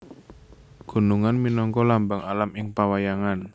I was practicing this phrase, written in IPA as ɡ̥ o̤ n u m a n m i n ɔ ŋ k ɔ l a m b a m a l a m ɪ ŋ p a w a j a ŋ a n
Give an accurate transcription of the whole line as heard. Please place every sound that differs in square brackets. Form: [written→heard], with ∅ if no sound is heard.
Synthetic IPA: ɡ̥ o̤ n u [m→ŋ] a n m i n ɔ ŋ k ɔ l a m b a [m→ŋ] a l a m ɪ ŋ p a w a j a ŋ a n

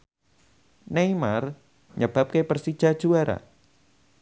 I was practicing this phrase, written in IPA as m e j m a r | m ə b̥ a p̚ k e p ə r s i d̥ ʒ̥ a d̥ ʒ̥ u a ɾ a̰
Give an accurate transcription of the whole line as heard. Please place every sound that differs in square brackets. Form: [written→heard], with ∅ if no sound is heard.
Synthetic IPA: [m→n] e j m a r | [m→ɲ] ə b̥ a p̚ k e p ə r s i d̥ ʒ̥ a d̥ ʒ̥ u a ɾ a̰

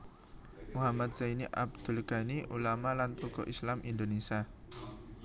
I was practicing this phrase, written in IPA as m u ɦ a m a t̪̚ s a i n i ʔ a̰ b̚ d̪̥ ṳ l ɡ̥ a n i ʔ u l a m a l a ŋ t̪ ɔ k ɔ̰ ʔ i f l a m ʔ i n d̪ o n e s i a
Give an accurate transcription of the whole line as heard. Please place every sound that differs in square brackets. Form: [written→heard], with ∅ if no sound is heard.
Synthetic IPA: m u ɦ a m a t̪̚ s a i n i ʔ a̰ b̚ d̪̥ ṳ l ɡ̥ a n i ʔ u l a m a l a [ŋ→n] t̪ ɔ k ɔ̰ ʔ i [f→s] l a m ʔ i n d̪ o n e s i a

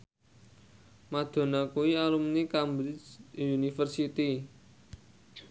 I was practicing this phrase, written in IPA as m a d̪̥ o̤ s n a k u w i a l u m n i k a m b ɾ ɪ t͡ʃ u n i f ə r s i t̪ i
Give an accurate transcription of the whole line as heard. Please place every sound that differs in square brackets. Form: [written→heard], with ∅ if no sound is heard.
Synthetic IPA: m a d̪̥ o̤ [s→∅] n a k u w i a l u m n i k a m b ɾ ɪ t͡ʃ u n i f ə r s i t̪ i

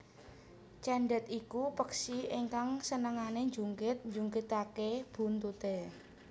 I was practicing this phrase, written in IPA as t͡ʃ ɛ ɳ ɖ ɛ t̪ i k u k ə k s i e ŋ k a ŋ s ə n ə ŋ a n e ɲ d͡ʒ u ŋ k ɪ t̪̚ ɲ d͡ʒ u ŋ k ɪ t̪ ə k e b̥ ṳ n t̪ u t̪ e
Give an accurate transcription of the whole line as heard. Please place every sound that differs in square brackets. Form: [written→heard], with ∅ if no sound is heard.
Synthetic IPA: t͡ʃ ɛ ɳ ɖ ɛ t̪ i k u [k→p] ə k s i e ŋ k a ŋ s ə n ə ŋ a n e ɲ d͡ʒ u ŋ k ɪ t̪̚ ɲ d͡ʒ u ŋ k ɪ t̪ [ə→a] k e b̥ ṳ n t̪ u t̪ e

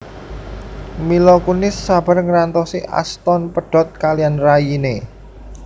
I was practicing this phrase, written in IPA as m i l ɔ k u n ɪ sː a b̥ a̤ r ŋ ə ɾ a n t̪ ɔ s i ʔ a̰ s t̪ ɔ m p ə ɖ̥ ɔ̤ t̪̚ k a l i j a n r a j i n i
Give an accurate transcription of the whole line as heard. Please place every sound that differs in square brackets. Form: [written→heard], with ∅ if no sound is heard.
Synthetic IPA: m i l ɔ k u n ɪ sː a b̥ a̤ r ŋ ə ɾ a n t̪ ɔ s i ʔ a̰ s t̪ ɔ [m→n] p ə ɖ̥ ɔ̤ t̪̚ k a l i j a n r a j i n [i→e]

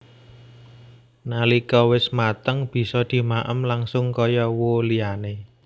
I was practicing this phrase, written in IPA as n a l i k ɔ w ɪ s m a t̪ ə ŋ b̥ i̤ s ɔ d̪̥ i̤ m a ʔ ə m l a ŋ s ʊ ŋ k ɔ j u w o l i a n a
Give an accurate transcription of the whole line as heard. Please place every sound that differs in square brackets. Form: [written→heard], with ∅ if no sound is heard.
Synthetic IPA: n a l i k ɔ w ɪ s m a t̪ ə ŋ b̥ i̤ s ɔ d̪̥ i̤ m a ʔ ə m l a ŋ s ʊ ŋ k ɔ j [u→ɔ] w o l i a n [a→e]

